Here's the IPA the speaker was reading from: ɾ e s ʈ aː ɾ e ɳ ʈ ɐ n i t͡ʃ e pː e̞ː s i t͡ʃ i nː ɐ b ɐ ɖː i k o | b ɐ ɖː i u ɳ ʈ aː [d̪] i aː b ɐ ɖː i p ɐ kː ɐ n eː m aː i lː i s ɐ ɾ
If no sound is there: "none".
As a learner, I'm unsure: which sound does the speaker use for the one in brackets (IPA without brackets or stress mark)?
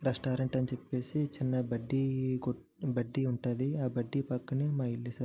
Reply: d̪